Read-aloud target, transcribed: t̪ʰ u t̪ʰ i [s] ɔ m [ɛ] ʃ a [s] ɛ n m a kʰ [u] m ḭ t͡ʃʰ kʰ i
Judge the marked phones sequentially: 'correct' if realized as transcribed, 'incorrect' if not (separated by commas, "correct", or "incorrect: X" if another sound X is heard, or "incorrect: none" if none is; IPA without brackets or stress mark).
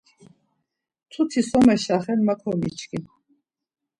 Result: correct, correct, incorrect: χ, incorrect: ɔ